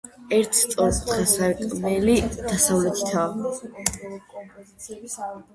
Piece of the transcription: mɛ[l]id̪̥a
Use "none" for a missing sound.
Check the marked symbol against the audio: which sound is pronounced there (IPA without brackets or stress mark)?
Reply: l